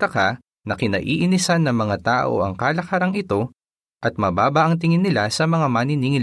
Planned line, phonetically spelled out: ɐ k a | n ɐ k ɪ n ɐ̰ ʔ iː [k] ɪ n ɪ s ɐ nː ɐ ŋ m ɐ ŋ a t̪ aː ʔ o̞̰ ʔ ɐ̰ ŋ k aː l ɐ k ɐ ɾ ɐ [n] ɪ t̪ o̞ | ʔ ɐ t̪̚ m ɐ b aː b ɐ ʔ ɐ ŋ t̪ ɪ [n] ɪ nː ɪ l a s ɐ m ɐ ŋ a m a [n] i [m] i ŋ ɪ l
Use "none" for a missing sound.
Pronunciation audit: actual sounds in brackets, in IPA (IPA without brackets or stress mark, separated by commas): ʔ, ŋ, ŋ, n, n